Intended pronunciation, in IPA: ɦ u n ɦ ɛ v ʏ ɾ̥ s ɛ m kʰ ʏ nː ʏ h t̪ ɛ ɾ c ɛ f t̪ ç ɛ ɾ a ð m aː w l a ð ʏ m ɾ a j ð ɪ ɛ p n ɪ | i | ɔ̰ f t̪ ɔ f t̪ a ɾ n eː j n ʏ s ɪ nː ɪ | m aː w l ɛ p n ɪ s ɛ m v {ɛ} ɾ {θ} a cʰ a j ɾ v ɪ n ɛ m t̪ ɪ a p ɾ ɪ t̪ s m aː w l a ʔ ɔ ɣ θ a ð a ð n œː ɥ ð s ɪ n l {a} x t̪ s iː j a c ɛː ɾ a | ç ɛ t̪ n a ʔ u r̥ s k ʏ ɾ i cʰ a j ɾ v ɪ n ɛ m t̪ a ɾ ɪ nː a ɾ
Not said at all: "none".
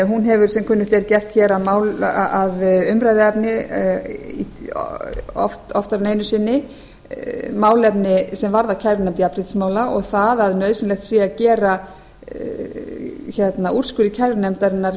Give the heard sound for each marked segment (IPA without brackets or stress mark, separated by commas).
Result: a, ð, ɛ